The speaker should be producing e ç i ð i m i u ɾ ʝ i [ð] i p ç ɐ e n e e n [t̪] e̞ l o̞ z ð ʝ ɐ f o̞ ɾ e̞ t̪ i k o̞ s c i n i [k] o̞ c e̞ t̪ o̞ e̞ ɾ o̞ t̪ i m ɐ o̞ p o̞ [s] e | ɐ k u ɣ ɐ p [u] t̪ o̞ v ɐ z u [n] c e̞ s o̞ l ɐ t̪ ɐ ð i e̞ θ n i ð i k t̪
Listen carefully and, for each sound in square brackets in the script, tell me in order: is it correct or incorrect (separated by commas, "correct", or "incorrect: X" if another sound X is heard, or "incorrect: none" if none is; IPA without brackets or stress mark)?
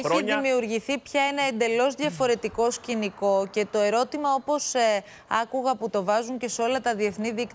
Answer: incorrect: θ, incorrect: d̪, correct, correct, correct, incorrect: ɲ